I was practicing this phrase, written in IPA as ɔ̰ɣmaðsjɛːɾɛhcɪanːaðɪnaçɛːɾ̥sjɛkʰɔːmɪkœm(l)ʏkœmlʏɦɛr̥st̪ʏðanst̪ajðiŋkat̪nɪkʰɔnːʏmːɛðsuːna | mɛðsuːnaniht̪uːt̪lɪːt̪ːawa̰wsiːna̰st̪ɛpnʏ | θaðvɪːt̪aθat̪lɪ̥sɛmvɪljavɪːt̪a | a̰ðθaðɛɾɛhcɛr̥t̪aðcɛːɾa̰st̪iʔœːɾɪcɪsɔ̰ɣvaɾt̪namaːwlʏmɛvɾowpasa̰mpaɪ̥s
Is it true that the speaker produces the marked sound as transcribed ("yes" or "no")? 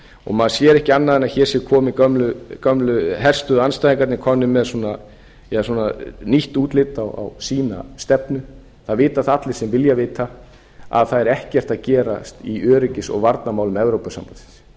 yes